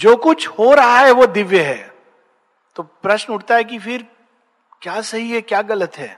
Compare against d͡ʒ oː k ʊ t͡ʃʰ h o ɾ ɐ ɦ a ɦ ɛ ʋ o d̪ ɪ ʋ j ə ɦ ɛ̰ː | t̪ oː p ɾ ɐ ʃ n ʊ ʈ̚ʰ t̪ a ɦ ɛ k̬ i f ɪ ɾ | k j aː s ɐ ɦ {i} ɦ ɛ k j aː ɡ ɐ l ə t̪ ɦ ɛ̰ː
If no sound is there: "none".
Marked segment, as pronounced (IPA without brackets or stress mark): i